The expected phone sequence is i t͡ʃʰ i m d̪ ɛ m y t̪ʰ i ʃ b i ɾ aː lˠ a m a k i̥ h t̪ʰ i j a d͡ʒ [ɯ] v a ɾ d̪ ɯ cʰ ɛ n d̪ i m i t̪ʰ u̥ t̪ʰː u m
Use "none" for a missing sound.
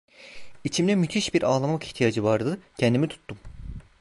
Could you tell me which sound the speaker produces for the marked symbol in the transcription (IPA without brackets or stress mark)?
ɯ